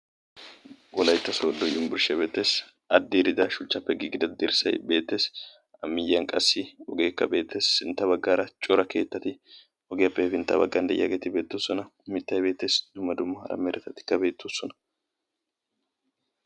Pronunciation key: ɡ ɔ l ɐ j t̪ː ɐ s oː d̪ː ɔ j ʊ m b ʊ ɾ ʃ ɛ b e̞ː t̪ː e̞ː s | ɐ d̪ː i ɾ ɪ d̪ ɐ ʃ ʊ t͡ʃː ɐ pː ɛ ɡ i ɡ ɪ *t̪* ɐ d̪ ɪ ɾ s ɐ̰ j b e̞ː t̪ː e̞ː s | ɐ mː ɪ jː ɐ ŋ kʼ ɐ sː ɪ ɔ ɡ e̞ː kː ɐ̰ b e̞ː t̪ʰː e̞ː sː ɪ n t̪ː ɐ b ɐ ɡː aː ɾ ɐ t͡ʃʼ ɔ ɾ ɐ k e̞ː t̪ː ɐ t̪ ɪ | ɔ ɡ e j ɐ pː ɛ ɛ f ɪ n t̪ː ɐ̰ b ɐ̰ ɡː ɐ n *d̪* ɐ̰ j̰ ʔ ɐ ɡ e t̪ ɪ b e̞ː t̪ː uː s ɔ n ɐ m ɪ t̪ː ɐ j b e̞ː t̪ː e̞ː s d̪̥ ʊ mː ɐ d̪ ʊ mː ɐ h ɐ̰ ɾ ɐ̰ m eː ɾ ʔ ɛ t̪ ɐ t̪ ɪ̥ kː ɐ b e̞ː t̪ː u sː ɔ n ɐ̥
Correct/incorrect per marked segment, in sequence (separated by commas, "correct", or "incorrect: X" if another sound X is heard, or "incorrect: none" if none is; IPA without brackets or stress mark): incorrect: d̪, correct